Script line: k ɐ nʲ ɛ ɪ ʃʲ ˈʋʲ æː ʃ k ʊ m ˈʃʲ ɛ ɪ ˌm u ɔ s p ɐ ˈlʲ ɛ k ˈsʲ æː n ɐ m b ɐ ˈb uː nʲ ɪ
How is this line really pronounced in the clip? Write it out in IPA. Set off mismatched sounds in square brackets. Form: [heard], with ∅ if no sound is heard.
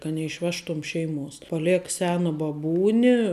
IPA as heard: k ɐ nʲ ɛ ɪ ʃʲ ˈʋʲ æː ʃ [t] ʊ m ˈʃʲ ɛ ɪ ˌm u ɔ s p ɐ ˈlʲ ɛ k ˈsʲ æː n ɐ [∅] b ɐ ˈb uː nʲ ɪ